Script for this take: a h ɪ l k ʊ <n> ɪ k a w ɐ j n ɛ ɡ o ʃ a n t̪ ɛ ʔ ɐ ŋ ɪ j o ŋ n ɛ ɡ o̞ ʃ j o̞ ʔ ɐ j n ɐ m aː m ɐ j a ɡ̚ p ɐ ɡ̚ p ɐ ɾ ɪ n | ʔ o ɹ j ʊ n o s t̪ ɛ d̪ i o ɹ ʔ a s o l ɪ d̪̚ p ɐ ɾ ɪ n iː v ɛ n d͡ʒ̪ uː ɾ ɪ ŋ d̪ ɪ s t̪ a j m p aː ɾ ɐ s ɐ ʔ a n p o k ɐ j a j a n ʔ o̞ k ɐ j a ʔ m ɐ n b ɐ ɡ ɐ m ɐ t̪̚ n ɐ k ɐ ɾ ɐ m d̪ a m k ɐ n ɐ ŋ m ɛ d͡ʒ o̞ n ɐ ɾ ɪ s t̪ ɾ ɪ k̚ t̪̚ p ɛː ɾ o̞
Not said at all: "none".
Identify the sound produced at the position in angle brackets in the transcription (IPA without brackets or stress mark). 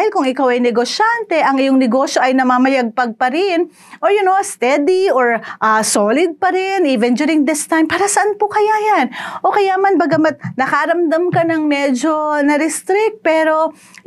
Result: ŋ